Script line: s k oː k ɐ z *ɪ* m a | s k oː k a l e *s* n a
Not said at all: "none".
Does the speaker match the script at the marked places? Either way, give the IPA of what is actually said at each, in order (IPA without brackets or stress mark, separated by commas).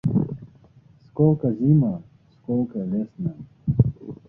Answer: i, s